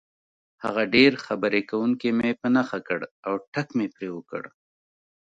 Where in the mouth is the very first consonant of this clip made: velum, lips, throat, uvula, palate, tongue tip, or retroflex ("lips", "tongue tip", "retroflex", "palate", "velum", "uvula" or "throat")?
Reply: throat